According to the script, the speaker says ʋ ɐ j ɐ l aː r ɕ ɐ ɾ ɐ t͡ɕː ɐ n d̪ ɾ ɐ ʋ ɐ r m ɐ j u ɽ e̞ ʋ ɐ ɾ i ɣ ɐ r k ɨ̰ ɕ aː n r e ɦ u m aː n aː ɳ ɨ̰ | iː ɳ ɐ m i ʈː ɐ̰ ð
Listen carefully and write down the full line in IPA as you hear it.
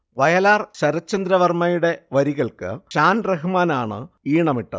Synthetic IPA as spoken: ʋ ɐ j ɐ l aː r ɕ ɐ ɾ ɐ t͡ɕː ɐ n d̪ ɾ ɐ ʋ ɐ r m ɐ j u ɽ e̞ ʋ ɐ ɾ i ɣ ɐ ɭ k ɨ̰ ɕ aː n r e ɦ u m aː n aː ɳ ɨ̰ | iː ɳ ɐ m i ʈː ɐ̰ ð